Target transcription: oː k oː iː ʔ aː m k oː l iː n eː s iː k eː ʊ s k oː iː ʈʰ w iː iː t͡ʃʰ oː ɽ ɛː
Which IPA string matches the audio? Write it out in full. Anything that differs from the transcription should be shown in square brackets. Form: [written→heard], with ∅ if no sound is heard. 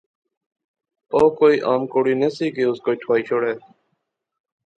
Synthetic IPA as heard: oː k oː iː ʔ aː m k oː [l→ɽ] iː n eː s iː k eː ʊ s k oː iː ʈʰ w [iː→aː] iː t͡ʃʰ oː ɽ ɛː